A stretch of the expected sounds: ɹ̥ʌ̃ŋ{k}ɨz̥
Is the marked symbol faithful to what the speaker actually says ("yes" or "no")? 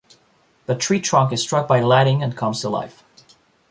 yes